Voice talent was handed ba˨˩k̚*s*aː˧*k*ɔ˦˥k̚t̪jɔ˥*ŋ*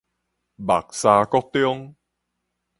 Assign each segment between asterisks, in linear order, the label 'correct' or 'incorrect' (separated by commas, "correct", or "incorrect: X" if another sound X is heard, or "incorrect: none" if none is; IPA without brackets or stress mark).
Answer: correct, correct, correct